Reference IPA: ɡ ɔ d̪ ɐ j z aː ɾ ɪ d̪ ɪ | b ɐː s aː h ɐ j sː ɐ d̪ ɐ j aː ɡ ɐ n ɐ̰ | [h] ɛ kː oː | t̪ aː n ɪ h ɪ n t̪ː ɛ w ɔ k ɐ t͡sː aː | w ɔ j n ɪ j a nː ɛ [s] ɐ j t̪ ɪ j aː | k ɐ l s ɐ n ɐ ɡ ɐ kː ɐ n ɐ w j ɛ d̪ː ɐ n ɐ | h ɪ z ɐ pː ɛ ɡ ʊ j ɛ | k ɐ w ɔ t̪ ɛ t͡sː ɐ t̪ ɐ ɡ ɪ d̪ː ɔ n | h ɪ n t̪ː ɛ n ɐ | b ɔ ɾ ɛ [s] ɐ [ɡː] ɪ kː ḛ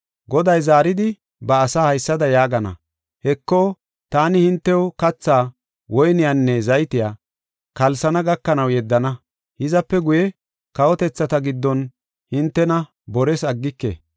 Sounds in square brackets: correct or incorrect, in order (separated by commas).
correct, incorrect, correct, correct